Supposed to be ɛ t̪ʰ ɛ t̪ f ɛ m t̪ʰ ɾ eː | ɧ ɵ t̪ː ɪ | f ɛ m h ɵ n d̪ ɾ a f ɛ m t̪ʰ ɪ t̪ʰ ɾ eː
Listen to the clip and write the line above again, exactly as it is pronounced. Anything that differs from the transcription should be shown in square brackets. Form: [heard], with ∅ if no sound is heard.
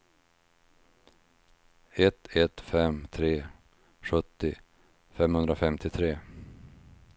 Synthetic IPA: ɛ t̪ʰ ɛ t̪ f ɛ m t̪ʰ ɾ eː | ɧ ɵ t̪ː ɪ | f ɛ m h ɵ n d̪ ɾ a f ɛ m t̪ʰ ɪ t̪ʰ ɾ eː